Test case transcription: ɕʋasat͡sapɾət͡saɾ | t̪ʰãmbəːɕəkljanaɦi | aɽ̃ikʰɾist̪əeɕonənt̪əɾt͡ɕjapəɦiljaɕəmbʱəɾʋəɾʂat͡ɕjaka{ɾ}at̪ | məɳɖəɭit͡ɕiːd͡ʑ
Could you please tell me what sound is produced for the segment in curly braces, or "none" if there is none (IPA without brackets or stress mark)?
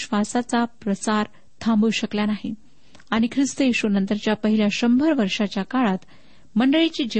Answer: ɭ